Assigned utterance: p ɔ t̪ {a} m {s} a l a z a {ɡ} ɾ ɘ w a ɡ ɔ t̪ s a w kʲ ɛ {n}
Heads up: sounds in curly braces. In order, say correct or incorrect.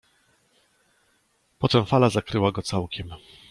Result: incorrect: ɛ, incorrect: f, incorrect: k, incorrect: m

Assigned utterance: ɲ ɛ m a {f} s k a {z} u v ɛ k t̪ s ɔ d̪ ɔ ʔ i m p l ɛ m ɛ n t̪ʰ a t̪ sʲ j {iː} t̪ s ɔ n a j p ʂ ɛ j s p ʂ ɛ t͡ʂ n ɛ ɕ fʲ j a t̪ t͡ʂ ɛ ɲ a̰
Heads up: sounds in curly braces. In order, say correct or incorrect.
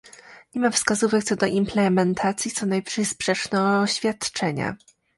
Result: correct, correct, incorrect: i

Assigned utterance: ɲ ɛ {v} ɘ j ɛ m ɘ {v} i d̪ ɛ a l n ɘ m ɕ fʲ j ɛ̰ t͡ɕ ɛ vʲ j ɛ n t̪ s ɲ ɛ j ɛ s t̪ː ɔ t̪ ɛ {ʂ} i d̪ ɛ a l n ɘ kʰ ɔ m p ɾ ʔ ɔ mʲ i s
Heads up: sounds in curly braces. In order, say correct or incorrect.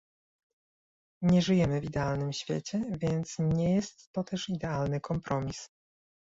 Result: incorrect: ʐ, correct, correct

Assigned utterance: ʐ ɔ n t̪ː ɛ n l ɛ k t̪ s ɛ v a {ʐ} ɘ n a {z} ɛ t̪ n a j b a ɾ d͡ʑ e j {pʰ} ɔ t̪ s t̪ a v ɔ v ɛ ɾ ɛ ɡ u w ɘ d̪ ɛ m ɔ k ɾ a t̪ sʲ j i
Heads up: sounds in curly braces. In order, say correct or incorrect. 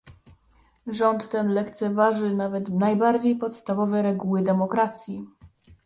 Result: correct, incorrect: v, incorrect: p

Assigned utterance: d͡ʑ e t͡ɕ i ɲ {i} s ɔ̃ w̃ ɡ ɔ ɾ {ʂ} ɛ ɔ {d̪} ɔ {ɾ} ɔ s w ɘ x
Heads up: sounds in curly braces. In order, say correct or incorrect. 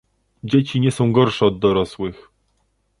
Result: incorrect: ɛ, correct, incorrect: d̪ː, correct

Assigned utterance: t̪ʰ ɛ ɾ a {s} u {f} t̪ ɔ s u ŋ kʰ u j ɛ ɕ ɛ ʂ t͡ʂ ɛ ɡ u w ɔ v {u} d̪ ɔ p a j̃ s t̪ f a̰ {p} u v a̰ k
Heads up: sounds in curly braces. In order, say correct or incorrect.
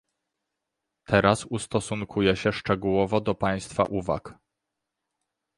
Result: correct, incorrect: s, incorrect: ɔ, incorrect: ʔ

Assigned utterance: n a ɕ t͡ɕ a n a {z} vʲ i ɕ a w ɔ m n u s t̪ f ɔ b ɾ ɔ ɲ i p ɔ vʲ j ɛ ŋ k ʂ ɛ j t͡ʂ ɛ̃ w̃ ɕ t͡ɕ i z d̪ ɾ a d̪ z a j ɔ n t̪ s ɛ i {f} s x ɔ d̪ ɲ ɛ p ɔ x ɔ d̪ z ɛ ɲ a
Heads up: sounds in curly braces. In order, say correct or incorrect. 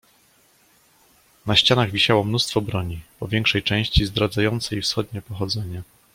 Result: incorrect: ɣ, correct

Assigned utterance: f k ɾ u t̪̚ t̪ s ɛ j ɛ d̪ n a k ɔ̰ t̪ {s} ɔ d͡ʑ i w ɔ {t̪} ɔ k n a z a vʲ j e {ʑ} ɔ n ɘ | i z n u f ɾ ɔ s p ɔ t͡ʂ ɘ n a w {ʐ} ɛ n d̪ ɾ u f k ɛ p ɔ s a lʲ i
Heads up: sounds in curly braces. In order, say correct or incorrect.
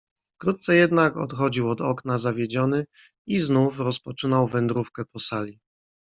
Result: incorrect: x, incorrect: d̪, incorrect: d͡ʑ, incorrect: v

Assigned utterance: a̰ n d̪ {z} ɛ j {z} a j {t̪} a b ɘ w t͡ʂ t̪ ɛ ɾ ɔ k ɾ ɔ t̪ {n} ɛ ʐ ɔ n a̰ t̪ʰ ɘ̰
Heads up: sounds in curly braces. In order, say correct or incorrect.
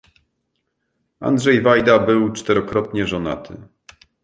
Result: incorrect: ʐ, incorrect: v, incorrect: d̪, incorrect: ɲ

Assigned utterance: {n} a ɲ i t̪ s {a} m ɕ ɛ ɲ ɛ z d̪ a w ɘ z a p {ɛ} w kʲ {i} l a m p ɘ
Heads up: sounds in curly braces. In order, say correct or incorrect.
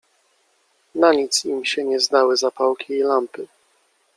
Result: correct, incorrect: i, incorrect: a, incorrect: iː

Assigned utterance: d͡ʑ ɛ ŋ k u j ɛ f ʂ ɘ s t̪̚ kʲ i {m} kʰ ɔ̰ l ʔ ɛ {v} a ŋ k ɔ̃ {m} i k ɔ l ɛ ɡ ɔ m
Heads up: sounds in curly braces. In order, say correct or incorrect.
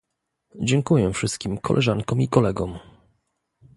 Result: correct, incorrect: ʐ, correct

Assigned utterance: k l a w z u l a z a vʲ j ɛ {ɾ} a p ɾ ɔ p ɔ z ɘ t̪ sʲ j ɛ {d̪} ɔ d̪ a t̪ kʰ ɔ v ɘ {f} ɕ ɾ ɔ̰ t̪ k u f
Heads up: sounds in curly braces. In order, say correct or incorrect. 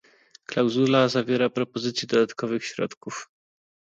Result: correct, correct, incorrect: x

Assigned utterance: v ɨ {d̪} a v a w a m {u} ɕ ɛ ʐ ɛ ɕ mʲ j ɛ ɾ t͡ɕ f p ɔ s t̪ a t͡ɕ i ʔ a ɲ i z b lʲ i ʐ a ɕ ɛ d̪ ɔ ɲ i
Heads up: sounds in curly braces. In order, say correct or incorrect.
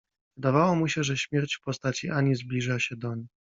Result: correct, correct

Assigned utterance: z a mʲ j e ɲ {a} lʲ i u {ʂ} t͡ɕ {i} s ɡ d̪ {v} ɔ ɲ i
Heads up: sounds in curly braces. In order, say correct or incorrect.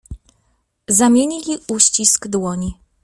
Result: incorrect: i, incorrect: ɕ, correct, incorrect: w

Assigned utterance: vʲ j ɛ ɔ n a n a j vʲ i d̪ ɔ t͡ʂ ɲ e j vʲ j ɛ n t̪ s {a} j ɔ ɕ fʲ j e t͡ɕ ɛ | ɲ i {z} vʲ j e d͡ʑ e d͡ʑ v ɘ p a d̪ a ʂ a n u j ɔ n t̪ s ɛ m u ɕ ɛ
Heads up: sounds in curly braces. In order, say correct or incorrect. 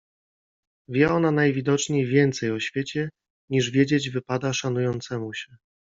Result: incorrect: ɛ, incorrect: ʐ

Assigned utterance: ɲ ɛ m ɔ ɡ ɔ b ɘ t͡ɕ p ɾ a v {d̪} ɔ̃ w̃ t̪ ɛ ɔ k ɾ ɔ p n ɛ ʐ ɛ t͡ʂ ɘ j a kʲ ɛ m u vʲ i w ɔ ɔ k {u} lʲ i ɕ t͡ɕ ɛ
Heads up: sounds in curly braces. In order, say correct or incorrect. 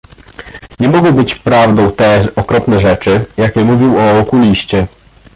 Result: correct, correct

